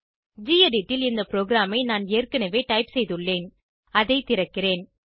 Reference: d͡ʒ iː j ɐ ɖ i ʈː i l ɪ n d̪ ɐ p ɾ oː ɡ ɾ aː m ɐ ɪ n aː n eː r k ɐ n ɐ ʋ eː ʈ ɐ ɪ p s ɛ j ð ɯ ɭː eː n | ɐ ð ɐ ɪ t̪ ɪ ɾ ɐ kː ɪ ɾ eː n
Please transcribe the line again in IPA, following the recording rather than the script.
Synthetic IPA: d͡ʒ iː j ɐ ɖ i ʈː ɪ l ɪ n d̪ ɐ p ɾ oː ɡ ɾ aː m ɐ ɪ n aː n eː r k ɐ n ɐ ʋ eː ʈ ɐ ɪ p s ɛ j ð ɯ ɭː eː n | ɐ ð ɐ ɪ t̪ ɪ ɾ ɐ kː ɪ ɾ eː n